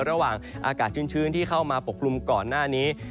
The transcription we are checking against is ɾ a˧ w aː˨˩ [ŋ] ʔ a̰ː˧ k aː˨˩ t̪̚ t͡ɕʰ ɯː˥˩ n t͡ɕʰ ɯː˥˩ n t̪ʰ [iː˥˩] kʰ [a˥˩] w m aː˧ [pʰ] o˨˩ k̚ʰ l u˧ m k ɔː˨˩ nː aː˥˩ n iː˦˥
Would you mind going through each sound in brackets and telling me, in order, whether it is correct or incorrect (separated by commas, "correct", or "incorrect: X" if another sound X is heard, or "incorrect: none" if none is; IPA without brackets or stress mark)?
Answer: correct, correct, correct, incorrect: p